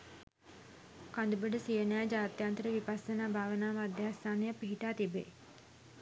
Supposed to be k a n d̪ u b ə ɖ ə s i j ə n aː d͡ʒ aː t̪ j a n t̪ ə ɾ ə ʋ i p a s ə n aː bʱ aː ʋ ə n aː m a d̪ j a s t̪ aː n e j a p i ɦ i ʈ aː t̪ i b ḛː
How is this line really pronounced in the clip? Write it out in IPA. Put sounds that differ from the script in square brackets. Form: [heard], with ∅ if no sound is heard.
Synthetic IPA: k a n d̪ u b ə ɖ ə s i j ə n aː d͡ʒ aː t̪ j a n t̪ ə ɾ ə ʋ i p a s ə n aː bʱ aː ʋ ə n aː m a d̪ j a s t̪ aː n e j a p i ɦ i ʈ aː t̪ i b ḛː